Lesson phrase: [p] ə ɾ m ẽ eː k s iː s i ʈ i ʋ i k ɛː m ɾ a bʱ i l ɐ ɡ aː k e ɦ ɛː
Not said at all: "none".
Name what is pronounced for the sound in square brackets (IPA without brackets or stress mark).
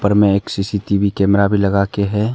p